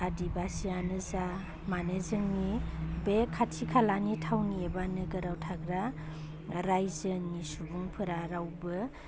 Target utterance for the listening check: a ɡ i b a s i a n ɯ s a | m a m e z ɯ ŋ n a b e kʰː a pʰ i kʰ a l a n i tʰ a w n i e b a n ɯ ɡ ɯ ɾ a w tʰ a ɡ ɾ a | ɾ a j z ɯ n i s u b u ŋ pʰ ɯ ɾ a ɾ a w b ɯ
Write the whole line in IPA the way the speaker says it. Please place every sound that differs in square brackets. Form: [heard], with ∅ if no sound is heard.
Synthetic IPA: a [d] i b a s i a n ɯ [z] a | m a [n] e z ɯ ŋ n [i] b e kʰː a [tʰ] i kʰ a l a n i tʰ a w n i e b a n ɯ ɡ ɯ ɾ a w tʰ a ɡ ɾ a | ɾ a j z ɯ n i s u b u ŋ pʰ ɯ ɾ a ɾ a w b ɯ